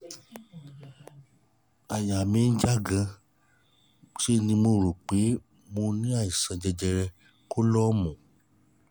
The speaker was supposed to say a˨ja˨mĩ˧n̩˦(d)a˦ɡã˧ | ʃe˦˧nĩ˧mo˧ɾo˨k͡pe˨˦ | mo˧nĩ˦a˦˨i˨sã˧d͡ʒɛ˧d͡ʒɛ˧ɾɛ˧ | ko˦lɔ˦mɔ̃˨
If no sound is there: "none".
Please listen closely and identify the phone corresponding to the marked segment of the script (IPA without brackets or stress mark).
d͡ʒ